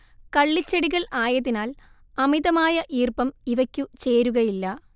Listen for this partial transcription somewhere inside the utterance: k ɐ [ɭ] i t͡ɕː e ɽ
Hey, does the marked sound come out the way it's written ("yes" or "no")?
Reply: no